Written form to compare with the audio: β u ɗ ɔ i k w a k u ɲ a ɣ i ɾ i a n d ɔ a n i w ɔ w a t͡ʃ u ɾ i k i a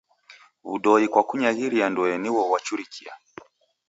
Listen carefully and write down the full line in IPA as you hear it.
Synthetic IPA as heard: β u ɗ ɔ i k w a k u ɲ a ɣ i ɾ i a n d ɔ ɛ n i w ɔ w a t͡ʃ u ɾ i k i a